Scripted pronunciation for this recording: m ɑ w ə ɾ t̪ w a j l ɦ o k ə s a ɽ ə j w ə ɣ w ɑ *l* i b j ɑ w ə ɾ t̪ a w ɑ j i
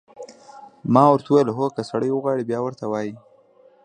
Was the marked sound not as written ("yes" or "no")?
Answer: yes